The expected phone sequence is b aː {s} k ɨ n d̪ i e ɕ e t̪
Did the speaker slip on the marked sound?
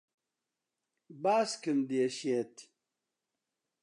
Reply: no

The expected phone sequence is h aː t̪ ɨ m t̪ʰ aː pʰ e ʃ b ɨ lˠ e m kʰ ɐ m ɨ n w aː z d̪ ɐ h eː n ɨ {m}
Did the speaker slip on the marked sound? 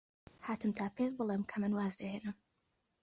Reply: no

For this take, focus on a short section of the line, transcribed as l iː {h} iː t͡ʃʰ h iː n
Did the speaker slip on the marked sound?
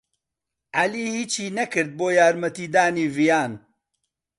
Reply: no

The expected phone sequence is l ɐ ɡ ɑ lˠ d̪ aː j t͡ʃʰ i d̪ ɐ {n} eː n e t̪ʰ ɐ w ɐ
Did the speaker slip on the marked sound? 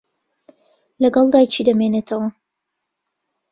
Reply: yes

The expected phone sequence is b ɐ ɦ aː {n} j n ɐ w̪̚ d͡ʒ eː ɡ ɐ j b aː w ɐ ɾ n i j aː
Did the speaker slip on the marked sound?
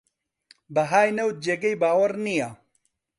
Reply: yes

